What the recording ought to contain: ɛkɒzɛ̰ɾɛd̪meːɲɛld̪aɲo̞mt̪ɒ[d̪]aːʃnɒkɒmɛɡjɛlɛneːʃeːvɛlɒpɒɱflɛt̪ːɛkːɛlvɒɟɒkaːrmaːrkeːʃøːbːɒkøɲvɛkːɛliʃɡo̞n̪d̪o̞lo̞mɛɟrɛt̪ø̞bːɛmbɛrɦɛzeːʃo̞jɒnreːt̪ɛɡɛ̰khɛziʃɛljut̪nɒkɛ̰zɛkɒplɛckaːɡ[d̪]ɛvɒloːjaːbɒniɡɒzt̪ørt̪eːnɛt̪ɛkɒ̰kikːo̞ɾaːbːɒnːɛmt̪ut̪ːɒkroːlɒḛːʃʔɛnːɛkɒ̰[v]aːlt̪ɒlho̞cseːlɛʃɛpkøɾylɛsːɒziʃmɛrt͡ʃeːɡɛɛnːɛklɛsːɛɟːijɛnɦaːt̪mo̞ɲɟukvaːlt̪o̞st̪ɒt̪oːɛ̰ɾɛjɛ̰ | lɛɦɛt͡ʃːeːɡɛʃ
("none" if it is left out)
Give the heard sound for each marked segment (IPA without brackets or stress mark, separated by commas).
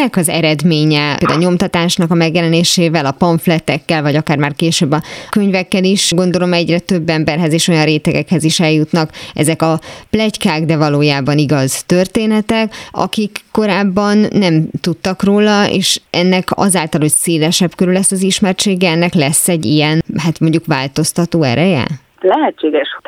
t̪, d̪, z